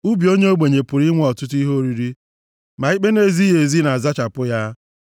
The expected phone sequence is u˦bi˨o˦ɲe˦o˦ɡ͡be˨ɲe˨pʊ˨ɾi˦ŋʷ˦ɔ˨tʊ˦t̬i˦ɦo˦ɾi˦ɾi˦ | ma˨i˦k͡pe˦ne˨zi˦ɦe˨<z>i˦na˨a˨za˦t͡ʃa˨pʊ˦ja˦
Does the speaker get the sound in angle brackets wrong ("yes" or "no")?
no